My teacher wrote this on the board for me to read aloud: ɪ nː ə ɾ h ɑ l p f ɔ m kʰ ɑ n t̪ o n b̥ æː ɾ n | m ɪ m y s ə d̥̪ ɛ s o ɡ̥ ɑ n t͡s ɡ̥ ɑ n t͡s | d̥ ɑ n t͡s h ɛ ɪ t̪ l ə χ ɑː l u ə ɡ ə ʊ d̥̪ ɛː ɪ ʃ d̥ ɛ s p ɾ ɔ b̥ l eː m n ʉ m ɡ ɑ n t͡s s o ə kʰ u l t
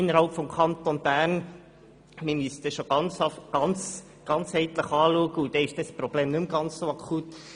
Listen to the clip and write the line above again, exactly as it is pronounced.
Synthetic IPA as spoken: ɪ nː ə ɾ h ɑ l p f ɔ m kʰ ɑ n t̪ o n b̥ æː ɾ n | m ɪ m y s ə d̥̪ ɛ ʃ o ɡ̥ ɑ n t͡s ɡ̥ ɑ n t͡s | ɡ̥ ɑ n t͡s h ɛ ɪ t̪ l ə χ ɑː l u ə ɡ ə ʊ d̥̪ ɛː ɪ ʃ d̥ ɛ s p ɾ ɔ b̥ l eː m n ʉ m ɡ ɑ n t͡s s o ɑ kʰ u t